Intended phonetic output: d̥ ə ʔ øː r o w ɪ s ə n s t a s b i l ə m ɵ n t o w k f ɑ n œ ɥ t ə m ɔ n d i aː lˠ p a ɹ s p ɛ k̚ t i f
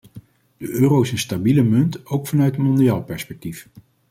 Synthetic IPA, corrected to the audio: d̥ ə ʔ øː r o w ɪ s ə n s t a b i l ə m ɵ n t o w k f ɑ n œ ɥ t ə m ɔ n d i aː lˠ p ɛ ɹ s p ɛ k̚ t i f